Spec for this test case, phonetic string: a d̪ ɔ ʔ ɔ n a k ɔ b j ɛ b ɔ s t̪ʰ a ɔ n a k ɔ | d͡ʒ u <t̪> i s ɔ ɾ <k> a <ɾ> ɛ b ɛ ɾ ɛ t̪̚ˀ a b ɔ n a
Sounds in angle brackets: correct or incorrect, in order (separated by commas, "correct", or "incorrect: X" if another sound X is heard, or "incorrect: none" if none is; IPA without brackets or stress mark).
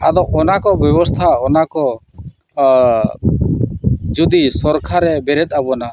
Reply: incorrect: d̪, incorrect: kʰ, correct